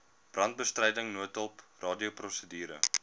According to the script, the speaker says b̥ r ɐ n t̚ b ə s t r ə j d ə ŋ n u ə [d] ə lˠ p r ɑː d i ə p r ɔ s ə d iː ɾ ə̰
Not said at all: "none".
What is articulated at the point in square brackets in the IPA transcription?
t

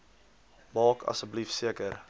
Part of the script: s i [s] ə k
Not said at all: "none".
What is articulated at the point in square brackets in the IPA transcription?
none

